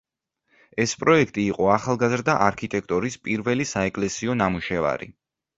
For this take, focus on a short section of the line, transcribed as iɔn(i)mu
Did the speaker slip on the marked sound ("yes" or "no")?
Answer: yes